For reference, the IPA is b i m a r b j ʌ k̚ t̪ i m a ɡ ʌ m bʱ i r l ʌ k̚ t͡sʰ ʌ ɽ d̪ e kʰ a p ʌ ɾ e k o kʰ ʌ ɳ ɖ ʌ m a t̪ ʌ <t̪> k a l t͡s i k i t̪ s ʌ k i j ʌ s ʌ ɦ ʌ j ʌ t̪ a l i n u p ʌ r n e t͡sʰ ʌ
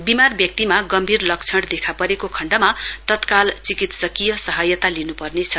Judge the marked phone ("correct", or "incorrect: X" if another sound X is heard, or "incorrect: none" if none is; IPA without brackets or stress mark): correct